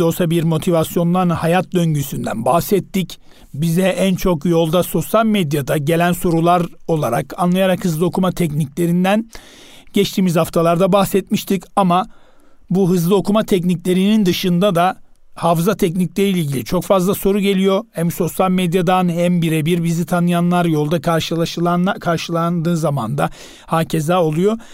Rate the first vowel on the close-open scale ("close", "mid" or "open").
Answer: mid